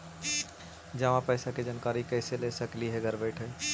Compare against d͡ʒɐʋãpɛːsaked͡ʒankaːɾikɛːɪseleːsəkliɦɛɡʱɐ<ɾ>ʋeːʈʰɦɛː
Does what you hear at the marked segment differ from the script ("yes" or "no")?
no